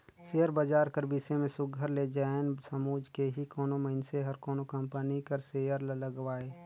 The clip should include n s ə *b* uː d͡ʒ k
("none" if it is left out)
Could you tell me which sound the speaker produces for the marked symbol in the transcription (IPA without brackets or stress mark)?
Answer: m